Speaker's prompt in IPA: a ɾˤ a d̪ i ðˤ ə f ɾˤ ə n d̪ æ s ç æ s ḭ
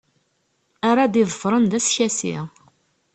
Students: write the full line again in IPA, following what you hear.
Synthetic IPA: a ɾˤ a d̪ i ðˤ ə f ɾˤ ə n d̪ æ s ç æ s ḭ